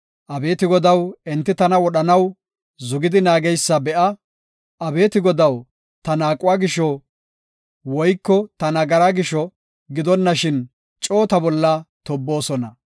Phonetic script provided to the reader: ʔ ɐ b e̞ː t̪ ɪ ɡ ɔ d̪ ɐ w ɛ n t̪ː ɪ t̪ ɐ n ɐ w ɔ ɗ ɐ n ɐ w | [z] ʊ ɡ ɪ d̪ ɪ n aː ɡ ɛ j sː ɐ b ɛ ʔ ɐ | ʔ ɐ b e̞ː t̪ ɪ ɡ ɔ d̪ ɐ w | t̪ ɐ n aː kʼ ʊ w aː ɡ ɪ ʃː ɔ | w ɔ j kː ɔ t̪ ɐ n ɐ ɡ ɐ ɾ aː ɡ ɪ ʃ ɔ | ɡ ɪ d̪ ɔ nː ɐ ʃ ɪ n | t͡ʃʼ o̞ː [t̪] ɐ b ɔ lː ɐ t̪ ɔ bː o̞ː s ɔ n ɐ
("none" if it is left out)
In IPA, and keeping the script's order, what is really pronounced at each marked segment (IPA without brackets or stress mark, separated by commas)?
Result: z, t̪